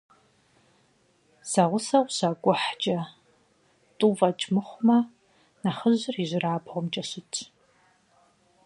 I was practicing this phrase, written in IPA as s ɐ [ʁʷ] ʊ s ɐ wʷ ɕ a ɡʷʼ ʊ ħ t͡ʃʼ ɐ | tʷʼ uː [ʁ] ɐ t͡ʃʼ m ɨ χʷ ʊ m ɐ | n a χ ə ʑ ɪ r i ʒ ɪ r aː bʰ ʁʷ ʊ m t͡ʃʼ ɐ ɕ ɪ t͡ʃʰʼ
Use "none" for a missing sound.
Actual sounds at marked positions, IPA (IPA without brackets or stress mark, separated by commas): ʁʷ, v